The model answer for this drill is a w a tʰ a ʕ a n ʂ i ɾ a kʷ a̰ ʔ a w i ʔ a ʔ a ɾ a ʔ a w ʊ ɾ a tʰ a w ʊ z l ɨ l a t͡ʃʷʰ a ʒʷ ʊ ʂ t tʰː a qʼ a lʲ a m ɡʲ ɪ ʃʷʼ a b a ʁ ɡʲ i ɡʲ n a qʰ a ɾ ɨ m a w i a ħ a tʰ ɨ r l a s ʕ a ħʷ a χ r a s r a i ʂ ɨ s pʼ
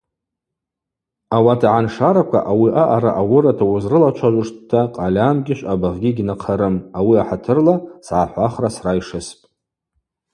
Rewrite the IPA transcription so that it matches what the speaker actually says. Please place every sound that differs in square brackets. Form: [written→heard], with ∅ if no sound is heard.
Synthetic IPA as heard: a w a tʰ a ʕ a n ʂ [i→a] ɾ a kʷ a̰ ʔ a w i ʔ a ʔ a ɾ a ʔ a w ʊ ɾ a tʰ a w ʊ z [l→r] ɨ l a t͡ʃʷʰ a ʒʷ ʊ ʂ t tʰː a qʼ a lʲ a m ɡʲ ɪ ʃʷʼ a b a ʁ ɡʲ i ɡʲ n a qʰ a ɾ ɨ m a w i a ħ a tʰ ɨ r l a s ʕ a ħʷ a χ r a s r a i ʂ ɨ s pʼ